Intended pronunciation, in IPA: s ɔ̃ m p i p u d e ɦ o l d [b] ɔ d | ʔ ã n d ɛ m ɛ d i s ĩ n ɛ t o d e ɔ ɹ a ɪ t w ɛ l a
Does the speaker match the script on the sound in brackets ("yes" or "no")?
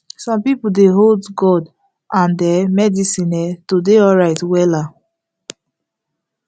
no